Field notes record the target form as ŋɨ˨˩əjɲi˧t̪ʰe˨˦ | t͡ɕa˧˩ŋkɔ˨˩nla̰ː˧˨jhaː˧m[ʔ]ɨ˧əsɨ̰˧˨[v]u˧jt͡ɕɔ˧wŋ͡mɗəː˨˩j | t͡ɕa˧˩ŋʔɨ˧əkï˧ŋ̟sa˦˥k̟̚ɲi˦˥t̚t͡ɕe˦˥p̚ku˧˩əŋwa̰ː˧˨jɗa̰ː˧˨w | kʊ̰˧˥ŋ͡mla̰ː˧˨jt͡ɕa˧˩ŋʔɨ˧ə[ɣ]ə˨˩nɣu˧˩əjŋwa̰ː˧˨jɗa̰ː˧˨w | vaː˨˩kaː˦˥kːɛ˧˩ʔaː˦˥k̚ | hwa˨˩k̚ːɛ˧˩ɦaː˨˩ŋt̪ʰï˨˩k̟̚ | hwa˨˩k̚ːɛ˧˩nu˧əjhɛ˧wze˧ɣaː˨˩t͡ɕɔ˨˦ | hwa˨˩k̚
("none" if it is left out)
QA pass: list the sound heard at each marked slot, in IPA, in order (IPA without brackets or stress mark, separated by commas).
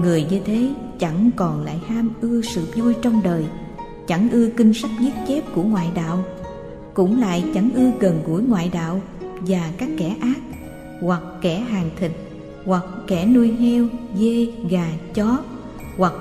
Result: ʔ, z, ɣ